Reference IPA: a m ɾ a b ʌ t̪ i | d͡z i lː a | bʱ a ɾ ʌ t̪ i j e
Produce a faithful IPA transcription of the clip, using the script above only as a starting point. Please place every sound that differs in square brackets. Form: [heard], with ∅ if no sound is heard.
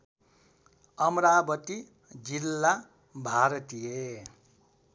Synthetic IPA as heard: [ʌ] m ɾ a b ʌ t̪ i | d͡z i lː a | bʱ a ɾ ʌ t̪ i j e